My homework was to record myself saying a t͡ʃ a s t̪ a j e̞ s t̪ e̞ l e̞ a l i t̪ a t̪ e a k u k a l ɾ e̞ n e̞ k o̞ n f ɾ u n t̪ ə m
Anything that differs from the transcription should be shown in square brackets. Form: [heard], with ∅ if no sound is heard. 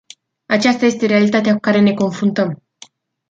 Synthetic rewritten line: a t͡ʃ a s t̪ a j e̞ s t̪ e̞ [ɾ] e̞ a l i t̪ a t̪ e a k u k a [∅] ɾ e̞ n e̞ k o̞ n f ɾ u n t̪ ə m